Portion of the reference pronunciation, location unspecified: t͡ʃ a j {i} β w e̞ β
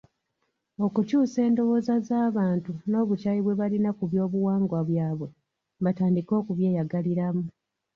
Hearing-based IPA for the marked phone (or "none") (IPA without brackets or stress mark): i